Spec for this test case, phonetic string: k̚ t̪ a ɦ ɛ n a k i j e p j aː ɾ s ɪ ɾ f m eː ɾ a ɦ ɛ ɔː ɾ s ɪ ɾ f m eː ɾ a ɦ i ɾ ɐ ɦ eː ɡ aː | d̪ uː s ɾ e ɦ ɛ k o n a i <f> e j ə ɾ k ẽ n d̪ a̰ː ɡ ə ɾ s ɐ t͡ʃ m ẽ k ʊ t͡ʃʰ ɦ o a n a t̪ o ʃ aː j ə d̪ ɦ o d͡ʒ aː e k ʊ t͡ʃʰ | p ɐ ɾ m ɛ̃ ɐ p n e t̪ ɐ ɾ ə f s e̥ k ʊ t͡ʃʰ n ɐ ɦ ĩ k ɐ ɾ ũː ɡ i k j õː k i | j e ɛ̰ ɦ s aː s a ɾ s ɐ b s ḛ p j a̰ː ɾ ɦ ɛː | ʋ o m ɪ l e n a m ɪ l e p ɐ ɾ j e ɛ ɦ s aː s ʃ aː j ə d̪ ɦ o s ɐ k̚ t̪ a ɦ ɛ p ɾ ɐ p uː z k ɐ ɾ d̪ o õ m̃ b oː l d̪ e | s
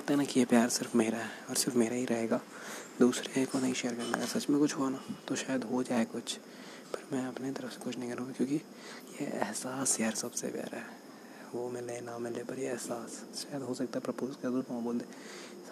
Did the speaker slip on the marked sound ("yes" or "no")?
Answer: yes